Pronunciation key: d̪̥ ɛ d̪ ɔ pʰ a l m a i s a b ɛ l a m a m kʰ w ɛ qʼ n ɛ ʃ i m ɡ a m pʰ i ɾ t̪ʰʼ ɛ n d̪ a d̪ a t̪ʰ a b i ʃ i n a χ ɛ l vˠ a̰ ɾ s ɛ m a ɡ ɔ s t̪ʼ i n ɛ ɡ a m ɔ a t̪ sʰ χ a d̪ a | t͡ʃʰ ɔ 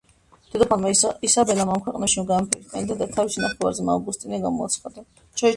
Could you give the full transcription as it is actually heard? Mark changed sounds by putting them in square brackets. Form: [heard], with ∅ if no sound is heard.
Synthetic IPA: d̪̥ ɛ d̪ ɔ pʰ a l m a i s a b ɛ l a m a m kʰ w ɛ qʼ n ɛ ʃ i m ɡ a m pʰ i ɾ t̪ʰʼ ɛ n d̪ a d̪ a t̪ʰ a [v] i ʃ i n a χ ɛ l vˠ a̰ ɾ [z] ɛ m a ɡ [u] s t̪ʼ i n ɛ ɡ a m ɔ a t̪ sʰ χ a d̪ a | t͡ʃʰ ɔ